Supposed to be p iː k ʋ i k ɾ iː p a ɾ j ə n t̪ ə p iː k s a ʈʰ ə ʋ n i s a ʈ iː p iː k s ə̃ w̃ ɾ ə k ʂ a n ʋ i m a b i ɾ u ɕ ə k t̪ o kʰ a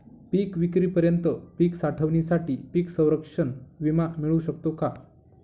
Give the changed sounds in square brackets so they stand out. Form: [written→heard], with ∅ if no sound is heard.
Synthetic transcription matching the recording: p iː k ʋ i k ɾ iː p [a→ə] ɾ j ə n t̪ ə p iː k s a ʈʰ ə ʋ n i s a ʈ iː p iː k s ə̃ w̃ ɾ ə k ʂ [a→ə] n ʋ i m a [b→m] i [ɾ→ɭ] u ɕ ə k t̪ o [kʰ→k] a